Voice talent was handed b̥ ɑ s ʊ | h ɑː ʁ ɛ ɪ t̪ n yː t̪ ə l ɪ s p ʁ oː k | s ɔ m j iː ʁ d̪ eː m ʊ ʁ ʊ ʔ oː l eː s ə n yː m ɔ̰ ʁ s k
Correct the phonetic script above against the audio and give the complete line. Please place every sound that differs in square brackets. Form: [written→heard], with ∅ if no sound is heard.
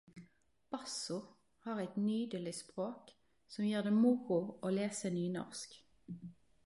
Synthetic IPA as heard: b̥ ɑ s ʊ | h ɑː ʁ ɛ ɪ t̪ n yː [t̪→d̪] ə l ɪ s p ʁ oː k | s ɔ m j iː ʁ d̪ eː m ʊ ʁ ʊ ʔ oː l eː s ə n yː [m→n] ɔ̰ ʁ s k